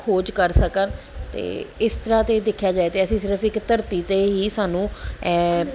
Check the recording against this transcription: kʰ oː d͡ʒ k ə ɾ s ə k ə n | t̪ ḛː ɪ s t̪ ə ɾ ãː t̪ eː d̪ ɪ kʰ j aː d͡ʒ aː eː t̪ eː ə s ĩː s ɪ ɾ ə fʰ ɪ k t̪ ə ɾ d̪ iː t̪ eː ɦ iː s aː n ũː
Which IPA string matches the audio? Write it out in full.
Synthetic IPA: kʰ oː d͡ʒ k ə ɾ s ə k ə n | t̪ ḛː ɪ s t̪ ə ɾ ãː t̪ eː d̪ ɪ kʰ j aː d͡ʒ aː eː t̪ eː ə s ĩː s ɪ ɾ ə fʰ ɪ k t̪ ə ɾ t̪ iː t̪ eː ɦ iː s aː n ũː